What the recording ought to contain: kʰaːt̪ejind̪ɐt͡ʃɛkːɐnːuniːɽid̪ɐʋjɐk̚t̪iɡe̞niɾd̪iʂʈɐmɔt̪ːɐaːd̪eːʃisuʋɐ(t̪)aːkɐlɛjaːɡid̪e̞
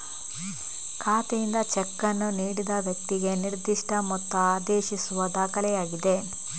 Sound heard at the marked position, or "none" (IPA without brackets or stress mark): d̪